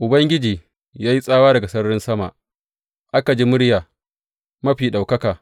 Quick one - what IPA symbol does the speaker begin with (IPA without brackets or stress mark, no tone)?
ʔ